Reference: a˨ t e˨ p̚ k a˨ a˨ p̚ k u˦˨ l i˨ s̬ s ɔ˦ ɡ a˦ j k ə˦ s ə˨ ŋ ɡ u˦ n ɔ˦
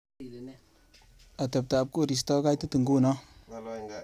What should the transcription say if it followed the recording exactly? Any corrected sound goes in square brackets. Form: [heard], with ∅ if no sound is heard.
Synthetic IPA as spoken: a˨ t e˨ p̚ [t] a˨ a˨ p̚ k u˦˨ [ɾ] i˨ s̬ [t] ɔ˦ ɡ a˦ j [t] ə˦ [t] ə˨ ŋ ɡ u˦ n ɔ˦